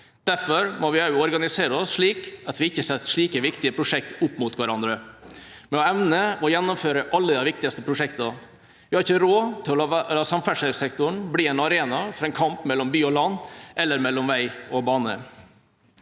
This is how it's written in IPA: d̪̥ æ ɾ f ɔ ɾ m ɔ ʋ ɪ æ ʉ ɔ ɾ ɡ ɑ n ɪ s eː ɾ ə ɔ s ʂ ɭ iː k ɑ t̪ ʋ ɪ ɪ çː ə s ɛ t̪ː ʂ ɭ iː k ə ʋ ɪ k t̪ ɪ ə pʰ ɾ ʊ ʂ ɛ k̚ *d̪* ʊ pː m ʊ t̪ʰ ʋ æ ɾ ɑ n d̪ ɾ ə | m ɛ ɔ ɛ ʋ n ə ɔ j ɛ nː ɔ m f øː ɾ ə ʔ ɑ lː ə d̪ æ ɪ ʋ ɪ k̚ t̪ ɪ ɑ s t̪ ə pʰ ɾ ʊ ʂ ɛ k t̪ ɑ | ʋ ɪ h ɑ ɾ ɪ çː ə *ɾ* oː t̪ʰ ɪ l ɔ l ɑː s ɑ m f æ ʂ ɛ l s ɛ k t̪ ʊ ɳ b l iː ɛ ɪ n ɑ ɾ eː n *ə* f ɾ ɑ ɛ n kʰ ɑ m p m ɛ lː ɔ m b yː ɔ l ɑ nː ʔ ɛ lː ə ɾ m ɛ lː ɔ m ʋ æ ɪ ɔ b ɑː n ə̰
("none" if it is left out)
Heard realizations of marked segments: t̪, ɾ, ɑ

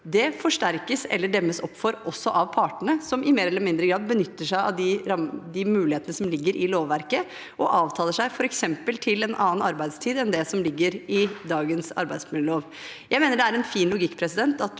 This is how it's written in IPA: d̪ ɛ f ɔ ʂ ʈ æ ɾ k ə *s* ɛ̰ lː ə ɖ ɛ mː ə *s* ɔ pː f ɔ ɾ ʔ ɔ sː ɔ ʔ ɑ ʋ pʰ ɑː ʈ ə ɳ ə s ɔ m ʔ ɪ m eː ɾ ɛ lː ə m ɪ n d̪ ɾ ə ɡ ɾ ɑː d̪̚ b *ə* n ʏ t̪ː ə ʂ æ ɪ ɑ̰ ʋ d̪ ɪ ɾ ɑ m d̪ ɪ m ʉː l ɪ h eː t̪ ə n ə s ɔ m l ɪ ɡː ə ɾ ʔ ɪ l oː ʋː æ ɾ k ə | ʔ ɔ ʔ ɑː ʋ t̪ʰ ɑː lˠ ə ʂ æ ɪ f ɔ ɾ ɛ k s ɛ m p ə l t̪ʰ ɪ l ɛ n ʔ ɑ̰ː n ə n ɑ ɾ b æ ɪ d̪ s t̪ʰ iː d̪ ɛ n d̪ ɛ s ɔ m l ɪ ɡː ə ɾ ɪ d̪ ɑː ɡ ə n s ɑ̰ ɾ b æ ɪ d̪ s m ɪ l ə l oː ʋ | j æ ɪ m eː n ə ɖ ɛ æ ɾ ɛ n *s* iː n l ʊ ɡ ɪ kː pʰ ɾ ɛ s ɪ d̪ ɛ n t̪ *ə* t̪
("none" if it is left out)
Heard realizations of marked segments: s, s, ə, f, ɑ

